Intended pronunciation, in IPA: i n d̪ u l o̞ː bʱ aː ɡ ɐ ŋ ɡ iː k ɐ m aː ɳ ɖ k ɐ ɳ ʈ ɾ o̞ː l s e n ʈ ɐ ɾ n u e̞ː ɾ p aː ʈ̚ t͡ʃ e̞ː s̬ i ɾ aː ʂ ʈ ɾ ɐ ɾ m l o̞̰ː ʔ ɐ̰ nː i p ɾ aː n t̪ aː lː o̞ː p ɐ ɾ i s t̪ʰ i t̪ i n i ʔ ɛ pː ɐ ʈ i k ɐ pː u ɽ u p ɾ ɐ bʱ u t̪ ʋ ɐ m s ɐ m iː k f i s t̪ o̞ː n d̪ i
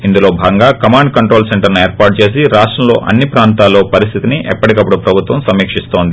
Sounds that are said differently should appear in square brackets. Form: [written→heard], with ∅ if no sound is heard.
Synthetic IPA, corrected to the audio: i n d̪ u l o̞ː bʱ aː ɡ ɐ ŋ ɡ [iː→aː] k ɐ m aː ɳ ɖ k ɐ ɳ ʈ ɾ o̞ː l s e [n→ɳ] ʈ ɐ ɾ n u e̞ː ɾ p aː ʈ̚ t͡ʃ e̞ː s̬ i ɾ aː ʂ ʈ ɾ ɐ [ɾ→∅] m l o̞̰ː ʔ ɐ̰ nː i p ɾ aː n t̪ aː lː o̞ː p ɐ ɾ i s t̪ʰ i t̪ i n i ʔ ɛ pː ɐ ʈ i k ɐ pː u ɽ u p ɾ ɐ bʱ u t̪ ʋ ɐ m s ɐ m iː k [f→ʂ] i s t̪ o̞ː n d̪ i